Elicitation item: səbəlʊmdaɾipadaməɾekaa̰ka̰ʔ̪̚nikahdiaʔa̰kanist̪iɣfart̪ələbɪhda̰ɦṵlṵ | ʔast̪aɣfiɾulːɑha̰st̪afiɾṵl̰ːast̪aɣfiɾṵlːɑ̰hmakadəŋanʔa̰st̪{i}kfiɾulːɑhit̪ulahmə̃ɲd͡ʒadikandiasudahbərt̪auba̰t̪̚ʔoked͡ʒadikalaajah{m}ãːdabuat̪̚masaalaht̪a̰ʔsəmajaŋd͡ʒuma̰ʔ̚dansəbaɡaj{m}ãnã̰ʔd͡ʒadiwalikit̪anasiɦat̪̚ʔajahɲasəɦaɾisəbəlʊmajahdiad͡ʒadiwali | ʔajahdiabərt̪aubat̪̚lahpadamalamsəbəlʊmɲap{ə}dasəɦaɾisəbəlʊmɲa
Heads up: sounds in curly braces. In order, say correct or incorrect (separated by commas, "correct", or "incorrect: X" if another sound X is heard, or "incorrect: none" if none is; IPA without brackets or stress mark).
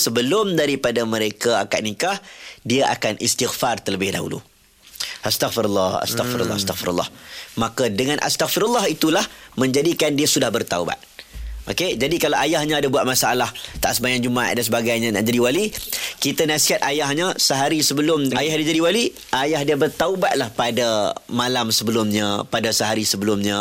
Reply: incorrect: a, incorrect: ɲ, incorrect: ɲ, incorrect: a